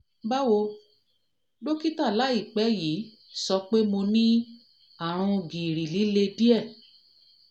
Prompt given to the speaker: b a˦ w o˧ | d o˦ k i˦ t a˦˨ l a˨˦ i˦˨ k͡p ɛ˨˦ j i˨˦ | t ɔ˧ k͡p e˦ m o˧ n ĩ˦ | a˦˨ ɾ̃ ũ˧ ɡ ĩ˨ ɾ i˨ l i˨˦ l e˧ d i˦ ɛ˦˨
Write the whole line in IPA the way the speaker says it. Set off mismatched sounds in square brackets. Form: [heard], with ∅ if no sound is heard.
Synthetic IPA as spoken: b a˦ w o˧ | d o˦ k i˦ t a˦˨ l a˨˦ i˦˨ k͡p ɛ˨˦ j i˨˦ | [s] ɔ˧ k͡p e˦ m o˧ n ĩ˦ | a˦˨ ɾ̃ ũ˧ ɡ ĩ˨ ɾ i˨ l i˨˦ l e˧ d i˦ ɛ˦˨